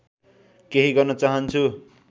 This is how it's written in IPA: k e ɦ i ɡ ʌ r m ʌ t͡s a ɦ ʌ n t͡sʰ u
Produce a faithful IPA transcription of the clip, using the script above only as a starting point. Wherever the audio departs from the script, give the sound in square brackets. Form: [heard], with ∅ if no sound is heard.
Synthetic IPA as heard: k e ɦ i ɡ ʌ r [n] ʌ t͡s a ɦ ʌ n t͡sʰ u